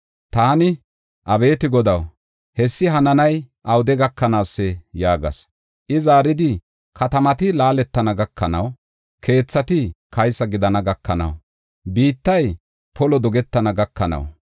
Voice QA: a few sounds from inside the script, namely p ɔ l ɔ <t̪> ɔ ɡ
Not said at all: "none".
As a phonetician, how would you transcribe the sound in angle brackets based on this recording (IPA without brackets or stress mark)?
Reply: d̪